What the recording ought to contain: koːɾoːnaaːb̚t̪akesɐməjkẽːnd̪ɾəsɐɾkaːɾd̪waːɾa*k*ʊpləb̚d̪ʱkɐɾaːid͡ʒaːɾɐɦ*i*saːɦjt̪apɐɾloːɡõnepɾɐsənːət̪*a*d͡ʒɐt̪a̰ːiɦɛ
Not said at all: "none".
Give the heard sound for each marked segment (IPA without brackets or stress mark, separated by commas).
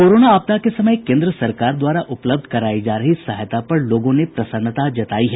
ʔ, i, a